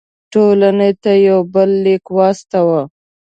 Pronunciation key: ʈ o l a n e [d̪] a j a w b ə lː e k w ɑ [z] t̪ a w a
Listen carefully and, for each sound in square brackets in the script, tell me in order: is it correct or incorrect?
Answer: incorrect: t̪, incorrect: s

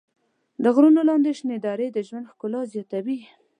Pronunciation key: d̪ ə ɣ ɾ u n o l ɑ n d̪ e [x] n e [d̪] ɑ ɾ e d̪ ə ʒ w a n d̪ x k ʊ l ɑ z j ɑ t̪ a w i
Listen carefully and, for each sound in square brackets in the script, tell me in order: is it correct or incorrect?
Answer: incorrect: ʃ, correct

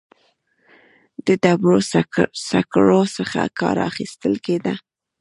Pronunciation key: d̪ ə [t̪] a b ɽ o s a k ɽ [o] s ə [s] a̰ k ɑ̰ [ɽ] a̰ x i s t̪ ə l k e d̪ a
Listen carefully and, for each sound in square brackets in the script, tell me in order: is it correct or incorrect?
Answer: incorrect: d̪, correct, incorrect: x, incorrect: ɾ

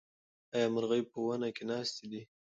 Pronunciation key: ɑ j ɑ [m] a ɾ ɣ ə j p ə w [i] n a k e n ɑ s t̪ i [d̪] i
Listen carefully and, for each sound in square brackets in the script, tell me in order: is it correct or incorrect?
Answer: correct, incorrect: a, correct

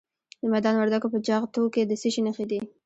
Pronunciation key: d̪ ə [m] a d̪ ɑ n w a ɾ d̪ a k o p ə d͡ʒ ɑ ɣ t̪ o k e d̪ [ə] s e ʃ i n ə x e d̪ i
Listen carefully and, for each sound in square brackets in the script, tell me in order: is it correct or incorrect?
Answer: correct, correct

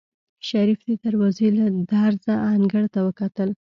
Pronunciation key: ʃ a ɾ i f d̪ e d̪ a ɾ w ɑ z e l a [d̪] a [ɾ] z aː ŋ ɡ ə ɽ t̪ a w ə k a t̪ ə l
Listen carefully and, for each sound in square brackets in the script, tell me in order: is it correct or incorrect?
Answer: correct, correct

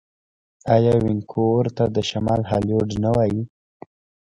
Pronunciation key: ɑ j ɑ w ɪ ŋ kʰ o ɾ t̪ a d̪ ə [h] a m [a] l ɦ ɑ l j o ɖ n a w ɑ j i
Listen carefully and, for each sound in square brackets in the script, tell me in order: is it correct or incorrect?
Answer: incorrect: ʃ, incorrect: ɑ

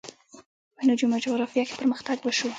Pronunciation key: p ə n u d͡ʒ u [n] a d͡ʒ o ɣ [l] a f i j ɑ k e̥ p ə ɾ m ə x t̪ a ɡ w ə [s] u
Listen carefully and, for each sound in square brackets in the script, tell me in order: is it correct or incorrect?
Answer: incorrect: m, incorrect: ɾ, incorrect: ʃ

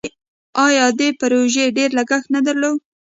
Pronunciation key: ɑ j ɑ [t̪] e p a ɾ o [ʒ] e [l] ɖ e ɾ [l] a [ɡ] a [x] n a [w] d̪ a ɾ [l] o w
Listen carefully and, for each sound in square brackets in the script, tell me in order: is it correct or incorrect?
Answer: incorrect: d̪, correct, incorrect: none, correct, correct, correct, incorrect: none, correct

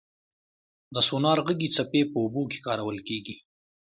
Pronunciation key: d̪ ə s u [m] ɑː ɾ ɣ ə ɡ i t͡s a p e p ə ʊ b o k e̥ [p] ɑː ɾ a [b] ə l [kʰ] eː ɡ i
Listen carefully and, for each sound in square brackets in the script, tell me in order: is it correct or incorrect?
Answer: incorrect: n, incorrect: k, incorrect: w, incorrect: k

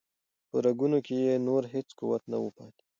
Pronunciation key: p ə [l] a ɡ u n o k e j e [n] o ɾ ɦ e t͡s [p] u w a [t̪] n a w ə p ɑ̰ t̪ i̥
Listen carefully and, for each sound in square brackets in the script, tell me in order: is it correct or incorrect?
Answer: incorrect: ɾ, correct, incorrect: k, correct

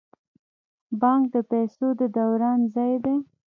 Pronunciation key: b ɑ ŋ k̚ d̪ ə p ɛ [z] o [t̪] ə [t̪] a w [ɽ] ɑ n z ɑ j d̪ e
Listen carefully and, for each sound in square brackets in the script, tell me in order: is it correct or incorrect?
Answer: incorrect: s, incorrect: d̪, incorrect: d̪, incorrect: ɾ

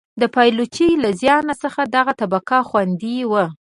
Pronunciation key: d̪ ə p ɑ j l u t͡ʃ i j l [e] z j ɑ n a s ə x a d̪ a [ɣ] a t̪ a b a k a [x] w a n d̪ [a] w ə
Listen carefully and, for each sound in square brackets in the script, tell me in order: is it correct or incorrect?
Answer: incorrect: a, correct, correct, incorrect: i

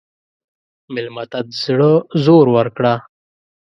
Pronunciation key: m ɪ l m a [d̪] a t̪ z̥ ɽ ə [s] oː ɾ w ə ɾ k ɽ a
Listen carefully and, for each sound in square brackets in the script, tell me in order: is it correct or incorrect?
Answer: incorrect: t̪, incorrect: z

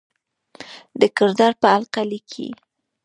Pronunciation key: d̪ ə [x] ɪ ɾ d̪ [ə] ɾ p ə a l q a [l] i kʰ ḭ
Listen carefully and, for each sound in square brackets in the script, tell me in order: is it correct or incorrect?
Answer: incorrect: k, incorrect: ɑ, correct

